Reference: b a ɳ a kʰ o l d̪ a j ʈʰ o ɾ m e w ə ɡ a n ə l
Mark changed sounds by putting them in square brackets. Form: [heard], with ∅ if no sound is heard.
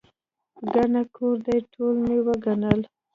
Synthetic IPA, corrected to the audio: [ɡ] a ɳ a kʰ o [ɾ] d̪ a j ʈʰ o [l] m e w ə ɡ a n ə l